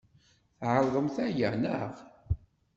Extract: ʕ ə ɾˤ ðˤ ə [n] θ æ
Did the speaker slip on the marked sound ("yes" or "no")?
yes